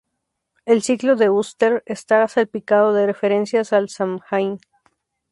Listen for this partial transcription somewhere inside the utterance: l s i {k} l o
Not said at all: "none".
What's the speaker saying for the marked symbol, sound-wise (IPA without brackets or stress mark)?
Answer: k